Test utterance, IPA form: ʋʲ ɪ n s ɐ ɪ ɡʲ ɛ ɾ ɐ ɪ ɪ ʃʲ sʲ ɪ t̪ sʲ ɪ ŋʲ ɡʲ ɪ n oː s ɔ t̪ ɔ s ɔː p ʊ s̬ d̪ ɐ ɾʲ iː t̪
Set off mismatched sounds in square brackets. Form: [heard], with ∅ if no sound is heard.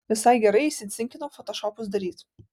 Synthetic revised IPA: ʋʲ ɪ [∅] s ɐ ɪ ɡʲ ɛ ɾ ɐ ɪ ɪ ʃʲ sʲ ɪ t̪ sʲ ɪ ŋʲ [kʲ] ɪ n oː [f] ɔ t̪ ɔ [ʃ] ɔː p ʊ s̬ d̪ ɐ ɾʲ iː t̪